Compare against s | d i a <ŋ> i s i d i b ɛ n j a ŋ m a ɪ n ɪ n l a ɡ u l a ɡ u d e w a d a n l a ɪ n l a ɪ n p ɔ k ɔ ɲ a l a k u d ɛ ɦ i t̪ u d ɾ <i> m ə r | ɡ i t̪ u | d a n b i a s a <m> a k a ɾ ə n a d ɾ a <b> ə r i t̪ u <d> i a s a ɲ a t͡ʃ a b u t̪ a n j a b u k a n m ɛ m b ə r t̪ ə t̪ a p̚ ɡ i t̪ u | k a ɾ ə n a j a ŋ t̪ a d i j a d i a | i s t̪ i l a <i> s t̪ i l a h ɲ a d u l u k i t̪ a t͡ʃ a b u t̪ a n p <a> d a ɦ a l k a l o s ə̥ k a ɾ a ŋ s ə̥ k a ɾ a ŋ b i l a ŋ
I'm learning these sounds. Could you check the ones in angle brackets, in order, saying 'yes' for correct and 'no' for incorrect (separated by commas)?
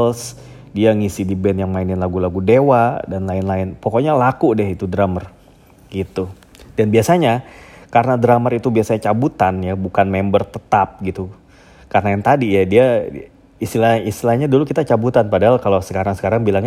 yes, no, no, no, no, yes, yes